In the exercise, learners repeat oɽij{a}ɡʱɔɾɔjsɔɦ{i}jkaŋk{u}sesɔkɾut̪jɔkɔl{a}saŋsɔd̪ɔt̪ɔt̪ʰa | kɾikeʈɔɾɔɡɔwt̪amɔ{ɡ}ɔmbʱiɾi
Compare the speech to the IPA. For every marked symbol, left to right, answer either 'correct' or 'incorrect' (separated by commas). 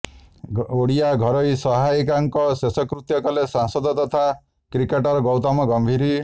correct, incorrect, incorrect, incorrect, correct